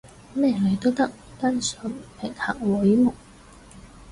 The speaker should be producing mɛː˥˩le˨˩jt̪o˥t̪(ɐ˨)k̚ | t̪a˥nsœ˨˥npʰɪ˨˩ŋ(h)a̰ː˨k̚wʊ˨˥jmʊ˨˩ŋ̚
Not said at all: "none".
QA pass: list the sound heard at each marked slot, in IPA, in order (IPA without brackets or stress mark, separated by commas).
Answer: ɐ˥, h